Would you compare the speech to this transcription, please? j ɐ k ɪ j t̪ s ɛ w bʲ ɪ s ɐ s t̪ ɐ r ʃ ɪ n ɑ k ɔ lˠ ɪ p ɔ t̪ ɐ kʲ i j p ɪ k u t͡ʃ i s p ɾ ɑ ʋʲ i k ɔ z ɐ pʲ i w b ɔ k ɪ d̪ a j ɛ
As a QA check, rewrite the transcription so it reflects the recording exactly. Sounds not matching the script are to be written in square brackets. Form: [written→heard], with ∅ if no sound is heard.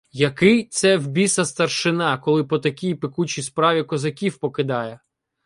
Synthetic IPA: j ɐ k ɪ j t̪ s ɛ w bʲ [ɪ→i] s ɐ s t̪ ɐ r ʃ ɪ n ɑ k ɔ lˠ ɪ p ɔ t̪ ɐ kʲ i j p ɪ k u t͡ʃ i s p ɾ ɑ ʋʲ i k ɔ z ɐ [pʲ→kʲ] i w [b→p] ɔ k ɪ d̪ [a→ɑ] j ɛ